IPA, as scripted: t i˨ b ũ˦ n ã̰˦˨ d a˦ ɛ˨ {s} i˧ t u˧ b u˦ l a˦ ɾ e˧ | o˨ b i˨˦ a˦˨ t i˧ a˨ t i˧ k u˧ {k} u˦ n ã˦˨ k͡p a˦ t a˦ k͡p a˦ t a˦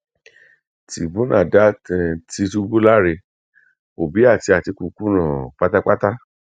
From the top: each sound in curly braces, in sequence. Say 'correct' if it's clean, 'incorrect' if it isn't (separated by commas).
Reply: incorrect, correct